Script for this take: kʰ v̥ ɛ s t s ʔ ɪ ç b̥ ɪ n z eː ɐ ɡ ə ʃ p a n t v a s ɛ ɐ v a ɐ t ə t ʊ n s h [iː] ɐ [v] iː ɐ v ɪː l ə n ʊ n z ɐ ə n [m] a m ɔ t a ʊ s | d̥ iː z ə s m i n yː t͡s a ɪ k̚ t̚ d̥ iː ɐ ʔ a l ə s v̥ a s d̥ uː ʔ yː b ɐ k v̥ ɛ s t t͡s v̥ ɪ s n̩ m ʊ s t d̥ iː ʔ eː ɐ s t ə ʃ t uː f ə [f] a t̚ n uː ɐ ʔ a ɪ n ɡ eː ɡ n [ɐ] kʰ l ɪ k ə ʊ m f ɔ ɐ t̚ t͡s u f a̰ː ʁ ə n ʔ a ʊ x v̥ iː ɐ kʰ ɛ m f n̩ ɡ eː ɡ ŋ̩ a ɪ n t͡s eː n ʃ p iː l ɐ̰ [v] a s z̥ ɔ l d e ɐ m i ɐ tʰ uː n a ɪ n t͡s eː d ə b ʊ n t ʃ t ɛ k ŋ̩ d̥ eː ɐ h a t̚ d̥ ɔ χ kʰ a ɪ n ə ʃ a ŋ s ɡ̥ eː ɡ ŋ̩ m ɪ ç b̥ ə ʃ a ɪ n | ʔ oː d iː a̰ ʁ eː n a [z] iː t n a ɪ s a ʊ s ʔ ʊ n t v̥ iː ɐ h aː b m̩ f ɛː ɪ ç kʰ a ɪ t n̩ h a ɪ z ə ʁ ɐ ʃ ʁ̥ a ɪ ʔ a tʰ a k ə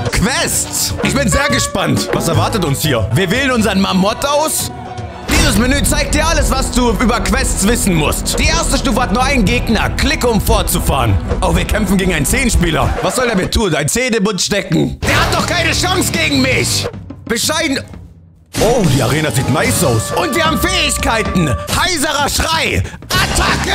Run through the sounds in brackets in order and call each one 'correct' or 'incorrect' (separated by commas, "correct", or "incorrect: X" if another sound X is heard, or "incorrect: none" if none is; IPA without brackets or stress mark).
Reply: correct, correct, correct, incorrect: h, correct, correct, correct